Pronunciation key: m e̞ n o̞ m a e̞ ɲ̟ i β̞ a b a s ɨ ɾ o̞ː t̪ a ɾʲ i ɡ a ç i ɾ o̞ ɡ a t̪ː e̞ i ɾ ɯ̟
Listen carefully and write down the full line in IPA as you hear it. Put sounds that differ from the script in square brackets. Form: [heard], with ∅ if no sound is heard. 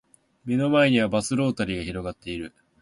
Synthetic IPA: m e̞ n o̞ m a e̞ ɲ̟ i β̞ a b a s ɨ ɾ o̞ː t̪ a ɾʲ i ɡ a ç i ɾ o̞ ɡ a t̪ː e̞ i ɾ ɯ̟